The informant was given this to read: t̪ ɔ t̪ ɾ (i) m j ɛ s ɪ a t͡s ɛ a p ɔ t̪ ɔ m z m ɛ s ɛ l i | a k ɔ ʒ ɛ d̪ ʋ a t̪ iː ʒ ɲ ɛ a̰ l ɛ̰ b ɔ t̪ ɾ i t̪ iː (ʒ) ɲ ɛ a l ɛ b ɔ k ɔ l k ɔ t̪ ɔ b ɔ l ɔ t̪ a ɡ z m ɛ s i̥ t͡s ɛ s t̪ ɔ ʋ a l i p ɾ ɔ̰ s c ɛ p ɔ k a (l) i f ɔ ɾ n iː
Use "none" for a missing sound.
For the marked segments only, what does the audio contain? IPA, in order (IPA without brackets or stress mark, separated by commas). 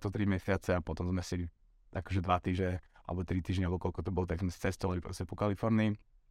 i, ʒ, l